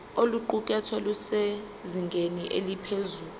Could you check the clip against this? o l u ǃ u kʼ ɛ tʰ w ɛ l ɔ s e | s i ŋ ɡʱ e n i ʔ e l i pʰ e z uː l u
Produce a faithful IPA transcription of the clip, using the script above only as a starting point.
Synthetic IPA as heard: o l u ǃ u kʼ ɛ tʰ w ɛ l u s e | z i ŋ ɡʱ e n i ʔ e l i pʰ e z uː l u